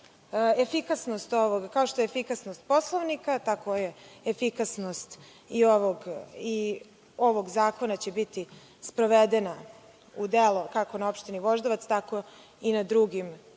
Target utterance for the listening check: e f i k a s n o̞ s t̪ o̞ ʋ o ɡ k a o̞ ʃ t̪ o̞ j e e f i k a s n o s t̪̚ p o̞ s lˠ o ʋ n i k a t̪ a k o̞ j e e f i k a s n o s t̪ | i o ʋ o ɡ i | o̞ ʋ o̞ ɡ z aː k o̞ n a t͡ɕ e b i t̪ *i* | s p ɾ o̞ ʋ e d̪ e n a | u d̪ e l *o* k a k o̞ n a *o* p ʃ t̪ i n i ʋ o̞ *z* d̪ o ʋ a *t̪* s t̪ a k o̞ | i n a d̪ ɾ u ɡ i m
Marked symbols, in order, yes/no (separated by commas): yes, yes, yes, no, yes